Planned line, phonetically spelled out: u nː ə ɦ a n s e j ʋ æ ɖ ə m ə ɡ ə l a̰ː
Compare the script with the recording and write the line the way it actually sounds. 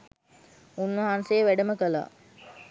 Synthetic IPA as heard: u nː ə ɦ a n s e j ʋ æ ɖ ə m ə k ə l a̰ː